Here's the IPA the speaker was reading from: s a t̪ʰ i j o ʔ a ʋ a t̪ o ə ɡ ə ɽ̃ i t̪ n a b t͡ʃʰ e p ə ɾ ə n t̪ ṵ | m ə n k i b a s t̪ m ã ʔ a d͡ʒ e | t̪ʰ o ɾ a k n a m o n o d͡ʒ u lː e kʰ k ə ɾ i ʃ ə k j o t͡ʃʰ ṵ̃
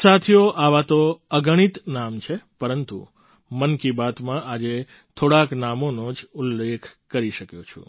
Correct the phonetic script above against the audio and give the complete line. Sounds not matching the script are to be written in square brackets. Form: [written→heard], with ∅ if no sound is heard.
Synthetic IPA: s a t̪ʰ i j o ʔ a ʋ a t̪ o ə ɡ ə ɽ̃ i t̪ n a [b→m] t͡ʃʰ e p ə ɾ ə n t̪ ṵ | m ə n k i b a [s→∅] t̪ m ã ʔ a d͡ʒ e | t̪ʰ o [ɾ→ɽ] a k n a m o n o d͡ʒ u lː e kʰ k ə ɾ i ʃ ə k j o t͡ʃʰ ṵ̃